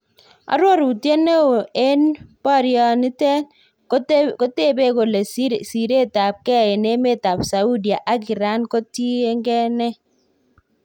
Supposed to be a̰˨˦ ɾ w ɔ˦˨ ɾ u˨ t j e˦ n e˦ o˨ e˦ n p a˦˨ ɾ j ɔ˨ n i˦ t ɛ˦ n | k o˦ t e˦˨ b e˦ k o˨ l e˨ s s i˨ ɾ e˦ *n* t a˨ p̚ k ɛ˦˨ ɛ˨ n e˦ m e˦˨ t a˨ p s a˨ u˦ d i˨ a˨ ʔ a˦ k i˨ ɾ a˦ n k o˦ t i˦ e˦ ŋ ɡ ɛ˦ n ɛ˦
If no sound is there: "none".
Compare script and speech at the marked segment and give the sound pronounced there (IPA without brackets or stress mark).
none